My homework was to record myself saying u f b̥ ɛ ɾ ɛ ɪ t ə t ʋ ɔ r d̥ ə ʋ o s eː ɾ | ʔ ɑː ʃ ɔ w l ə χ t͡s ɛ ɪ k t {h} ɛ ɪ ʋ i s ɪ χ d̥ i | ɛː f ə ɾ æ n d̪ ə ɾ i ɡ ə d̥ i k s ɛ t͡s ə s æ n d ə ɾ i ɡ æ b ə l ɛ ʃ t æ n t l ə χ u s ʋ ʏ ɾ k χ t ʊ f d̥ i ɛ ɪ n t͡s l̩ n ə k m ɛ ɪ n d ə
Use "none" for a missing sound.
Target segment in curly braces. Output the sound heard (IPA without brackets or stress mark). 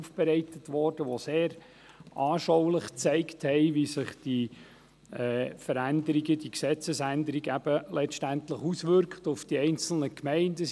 h